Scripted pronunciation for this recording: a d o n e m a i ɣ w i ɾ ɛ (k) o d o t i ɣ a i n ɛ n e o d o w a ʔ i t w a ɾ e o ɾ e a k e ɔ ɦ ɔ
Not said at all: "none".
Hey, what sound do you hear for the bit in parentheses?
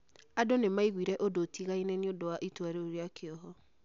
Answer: ʔ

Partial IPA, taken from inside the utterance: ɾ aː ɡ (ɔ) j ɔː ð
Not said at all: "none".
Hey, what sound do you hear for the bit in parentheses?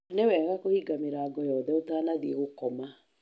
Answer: ɔ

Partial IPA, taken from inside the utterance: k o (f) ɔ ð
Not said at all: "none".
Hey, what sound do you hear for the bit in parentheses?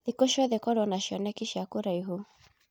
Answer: ʃ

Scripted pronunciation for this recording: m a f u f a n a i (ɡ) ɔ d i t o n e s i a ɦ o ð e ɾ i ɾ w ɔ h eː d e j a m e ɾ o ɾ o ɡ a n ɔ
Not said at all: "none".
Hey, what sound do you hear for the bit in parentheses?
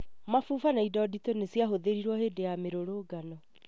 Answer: d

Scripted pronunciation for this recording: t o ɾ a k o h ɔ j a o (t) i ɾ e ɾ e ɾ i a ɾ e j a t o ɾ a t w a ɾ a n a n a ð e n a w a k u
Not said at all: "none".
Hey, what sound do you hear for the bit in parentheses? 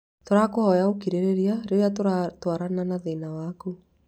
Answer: k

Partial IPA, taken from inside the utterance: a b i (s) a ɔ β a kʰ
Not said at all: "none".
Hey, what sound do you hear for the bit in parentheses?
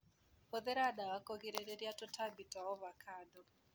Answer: t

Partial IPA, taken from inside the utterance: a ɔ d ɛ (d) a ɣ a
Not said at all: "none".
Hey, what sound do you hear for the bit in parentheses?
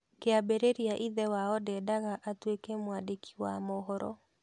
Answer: d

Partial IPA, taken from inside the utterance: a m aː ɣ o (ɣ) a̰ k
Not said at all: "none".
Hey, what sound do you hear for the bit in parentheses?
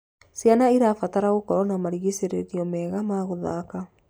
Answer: ð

